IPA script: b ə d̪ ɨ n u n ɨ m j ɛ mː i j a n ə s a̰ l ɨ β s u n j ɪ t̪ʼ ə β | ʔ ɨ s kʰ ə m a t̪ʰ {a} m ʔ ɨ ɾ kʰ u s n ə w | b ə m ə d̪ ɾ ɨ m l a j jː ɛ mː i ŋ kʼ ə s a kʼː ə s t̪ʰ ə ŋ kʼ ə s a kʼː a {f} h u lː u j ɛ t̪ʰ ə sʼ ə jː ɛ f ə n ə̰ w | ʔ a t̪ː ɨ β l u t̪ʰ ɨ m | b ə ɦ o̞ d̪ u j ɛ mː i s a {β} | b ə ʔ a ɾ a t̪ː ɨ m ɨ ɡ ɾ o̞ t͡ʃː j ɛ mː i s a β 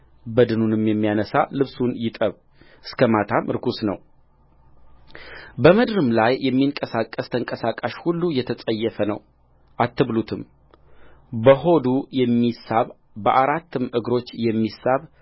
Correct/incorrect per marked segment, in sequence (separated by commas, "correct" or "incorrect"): correct, incorrect, correct